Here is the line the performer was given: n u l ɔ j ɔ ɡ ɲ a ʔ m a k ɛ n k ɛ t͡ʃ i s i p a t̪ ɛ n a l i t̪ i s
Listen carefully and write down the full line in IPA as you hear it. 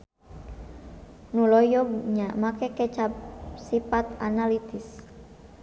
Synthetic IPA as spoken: n u l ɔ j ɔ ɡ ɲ a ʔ m a k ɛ k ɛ t͡ʃ a s i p a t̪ a n a l i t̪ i s